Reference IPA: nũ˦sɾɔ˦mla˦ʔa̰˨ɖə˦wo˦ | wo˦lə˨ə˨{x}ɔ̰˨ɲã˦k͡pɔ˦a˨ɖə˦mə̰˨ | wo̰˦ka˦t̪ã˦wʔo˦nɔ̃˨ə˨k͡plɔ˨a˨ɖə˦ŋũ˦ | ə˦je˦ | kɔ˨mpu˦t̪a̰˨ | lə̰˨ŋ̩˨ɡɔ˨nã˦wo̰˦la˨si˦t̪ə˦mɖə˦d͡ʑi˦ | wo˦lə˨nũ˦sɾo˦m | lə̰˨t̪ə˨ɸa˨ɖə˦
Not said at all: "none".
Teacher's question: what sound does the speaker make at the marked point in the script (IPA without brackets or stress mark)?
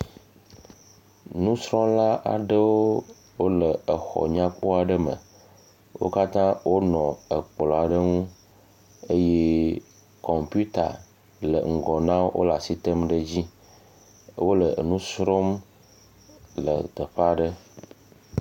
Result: x